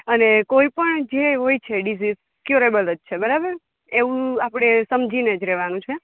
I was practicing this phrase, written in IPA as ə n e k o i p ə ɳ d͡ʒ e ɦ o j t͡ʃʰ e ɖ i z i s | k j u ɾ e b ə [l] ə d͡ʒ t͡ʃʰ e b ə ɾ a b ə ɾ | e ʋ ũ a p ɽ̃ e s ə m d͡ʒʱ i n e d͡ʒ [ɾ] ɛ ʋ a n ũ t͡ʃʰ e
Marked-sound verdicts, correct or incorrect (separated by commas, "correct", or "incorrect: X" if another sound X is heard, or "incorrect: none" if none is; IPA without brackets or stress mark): correct, correct